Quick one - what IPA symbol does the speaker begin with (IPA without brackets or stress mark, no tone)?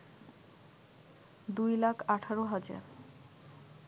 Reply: d̪